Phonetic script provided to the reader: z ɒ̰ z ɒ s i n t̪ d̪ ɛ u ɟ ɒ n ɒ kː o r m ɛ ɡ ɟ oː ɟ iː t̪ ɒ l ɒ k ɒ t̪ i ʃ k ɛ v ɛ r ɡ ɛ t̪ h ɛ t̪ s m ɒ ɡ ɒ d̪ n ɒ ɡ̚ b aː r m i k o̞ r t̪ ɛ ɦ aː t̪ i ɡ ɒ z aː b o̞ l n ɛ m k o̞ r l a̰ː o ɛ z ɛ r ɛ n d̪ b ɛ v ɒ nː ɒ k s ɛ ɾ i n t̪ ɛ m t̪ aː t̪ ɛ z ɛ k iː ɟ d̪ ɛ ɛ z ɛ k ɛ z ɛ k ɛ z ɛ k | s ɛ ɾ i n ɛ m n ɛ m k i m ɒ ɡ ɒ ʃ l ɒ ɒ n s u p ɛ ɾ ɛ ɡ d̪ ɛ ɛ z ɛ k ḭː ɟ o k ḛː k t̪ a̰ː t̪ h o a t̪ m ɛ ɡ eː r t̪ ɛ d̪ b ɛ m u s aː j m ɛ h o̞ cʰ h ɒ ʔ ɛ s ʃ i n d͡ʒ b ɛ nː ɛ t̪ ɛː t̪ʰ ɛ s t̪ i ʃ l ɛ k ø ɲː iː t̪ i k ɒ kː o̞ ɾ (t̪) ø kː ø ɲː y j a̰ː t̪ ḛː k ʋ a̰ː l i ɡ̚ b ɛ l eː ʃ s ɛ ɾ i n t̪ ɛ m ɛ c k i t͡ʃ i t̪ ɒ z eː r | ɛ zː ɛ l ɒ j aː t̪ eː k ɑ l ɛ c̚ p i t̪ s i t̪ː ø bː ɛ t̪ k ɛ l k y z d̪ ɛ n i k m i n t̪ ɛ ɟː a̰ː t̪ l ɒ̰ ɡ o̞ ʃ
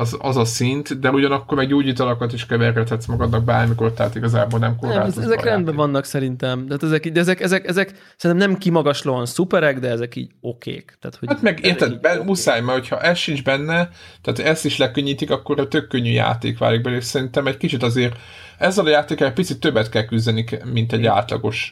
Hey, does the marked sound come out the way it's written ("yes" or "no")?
yes